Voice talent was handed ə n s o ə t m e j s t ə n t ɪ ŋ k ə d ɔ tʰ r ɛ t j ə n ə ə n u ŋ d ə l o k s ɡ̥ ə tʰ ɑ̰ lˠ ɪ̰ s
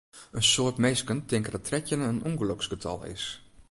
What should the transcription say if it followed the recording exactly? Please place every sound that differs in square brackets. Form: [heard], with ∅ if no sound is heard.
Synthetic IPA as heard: ə n s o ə t m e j s [k] ə n t ɪ ŋ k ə d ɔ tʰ r ɛ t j ə n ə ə n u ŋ [ɡ] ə l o k s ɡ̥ ə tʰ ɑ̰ lˠ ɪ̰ s